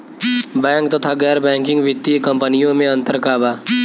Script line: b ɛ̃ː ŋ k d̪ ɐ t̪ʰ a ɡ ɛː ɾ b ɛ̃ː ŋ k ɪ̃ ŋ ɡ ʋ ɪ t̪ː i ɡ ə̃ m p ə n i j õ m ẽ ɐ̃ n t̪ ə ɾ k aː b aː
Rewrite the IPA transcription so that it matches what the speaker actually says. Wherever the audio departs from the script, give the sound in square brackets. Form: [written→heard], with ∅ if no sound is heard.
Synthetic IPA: b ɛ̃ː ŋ k [d̪→t̪] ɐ t̪ʰ a ɡ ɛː ɾ b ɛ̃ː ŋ k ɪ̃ ŋ ɡ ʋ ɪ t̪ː i [ɡ→k] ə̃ m p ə n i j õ m ẽ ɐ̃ n t̪ ə ɾ k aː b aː